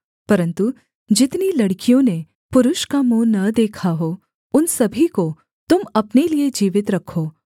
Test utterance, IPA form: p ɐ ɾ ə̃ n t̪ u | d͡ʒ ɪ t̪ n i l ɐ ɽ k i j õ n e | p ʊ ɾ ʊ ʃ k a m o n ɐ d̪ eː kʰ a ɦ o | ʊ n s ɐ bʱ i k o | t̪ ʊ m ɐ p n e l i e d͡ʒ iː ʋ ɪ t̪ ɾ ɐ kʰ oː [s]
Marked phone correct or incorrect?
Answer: incorrect